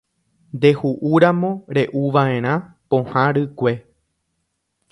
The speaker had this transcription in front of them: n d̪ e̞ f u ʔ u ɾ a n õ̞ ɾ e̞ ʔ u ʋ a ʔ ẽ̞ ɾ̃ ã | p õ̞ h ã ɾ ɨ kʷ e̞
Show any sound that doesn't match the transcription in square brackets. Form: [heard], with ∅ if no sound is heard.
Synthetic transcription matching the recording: n d̪ e̞ [h] u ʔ u ɾ a [m] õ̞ ɾ e̞ ʔ u ʋ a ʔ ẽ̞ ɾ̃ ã | p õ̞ h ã ɾ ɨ kʷ e̞